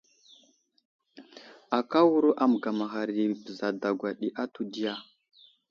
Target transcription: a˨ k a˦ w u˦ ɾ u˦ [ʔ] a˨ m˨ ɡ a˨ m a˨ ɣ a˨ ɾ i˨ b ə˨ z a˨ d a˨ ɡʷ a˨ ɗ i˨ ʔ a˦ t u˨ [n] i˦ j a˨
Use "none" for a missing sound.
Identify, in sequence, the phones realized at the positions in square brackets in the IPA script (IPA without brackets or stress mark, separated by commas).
ʔ, d